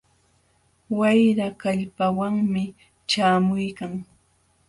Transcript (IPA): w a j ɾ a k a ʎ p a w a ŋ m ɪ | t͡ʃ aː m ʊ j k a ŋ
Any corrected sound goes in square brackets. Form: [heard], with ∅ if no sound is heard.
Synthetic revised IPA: w a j ɾ a k a ʎ p a w a ŋ m ɪ | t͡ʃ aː m ʊ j k a ŋ

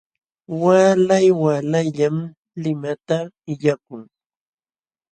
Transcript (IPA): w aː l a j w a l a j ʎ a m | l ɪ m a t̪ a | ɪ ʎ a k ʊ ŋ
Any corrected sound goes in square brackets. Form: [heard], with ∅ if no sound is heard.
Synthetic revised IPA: w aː l a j w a l a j ʎ a m | l ɪ m a t̪ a | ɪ ʎ a k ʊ ŋ

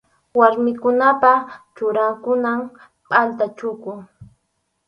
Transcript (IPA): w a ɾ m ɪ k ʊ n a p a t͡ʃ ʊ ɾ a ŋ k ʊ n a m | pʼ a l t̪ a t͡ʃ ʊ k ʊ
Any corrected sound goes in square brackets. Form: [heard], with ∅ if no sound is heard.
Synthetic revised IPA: w a ɾ m ɪ k ʊ n a p a t͡ʃ ʊ ɾ a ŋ k ʊ n a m | pʼ a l t̪ a t͡ʃ ʊ k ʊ

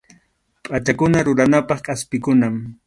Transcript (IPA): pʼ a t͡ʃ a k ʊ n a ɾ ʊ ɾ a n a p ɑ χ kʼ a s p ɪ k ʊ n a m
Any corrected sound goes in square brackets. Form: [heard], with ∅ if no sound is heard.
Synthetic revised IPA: pʼ a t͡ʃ a k ʊ n a ɾ ʊ ɾ a n a p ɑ χ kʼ a s p ɪ k ʊ n a m

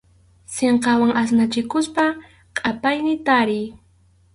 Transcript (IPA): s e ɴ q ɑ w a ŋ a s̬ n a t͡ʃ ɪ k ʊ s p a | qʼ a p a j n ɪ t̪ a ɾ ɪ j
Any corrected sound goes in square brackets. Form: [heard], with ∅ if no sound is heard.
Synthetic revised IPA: s e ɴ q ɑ w a ŋ a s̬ n a t͡ʃ ɪ k ʊ s p a | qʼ a p a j n ɪ t̪ a ɾ ɪ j

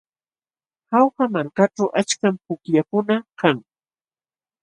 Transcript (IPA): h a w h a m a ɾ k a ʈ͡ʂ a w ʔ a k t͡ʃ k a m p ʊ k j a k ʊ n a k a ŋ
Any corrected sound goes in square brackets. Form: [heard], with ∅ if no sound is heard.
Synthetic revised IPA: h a w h a m a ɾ k a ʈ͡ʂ a w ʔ a [∅] t͡ʃ k a m p ʊ k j a k ʊ n a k a ŋ

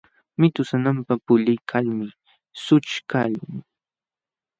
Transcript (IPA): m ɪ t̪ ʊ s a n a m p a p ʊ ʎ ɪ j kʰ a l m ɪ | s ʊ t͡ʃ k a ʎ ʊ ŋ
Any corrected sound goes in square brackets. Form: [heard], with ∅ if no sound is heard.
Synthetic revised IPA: m ɪ t̪ ʊ s a n a m p a p ʊ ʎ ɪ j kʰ a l m ɪ | s ʊ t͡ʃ k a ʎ ʊ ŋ

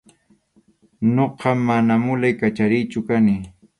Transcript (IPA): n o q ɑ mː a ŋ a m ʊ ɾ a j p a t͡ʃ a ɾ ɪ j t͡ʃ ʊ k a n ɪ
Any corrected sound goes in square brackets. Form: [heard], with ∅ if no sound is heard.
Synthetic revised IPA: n o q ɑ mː a [n] a m ʊ [l] a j [k] a t͡ʃ a ɾ ɪ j t͡ʃ ʊ k a n ɪ

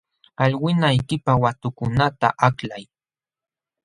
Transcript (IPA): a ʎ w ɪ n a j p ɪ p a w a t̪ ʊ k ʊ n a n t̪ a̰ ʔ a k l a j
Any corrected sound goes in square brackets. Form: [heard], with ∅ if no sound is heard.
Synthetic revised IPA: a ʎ w ɪ n a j [k] ɪ p a w a t̪ ʊ k ʊ n a [∅] t̪ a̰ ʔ a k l a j

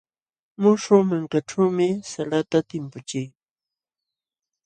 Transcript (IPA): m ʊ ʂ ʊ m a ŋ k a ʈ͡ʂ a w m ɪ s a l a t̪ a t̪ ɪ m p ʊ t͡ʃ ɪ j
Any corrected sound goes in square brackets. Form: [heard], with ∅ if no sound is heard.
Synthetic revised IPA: m ʊ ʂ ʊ m a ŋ k a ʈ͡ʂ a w m ɪ s a l a t̪ a t̪ ɪ m p ʊ t͡ʃ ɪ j

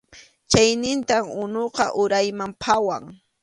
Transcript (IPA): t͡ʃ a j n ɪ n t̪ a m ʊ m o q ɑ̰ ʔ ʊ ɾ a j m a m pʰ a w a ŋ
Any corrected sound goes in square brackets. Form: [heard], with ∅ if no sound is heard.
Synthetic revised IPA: t͡ʃ a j n ɪ n t̪ a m ʊ [n] o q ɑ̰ ʔ ʊ ɾ a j m a m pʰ a w a ŋ

